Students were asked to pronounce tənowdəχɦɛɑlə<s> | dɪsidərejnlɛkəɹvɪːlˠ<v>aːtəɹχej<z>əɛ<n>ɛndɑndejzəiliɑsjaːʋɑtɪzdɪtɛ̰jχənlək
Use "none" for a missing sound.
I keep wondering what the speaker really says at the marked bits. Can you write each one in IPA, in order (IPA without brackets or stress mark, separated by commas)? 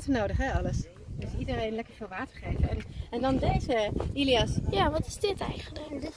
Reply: s, ʋ, v, n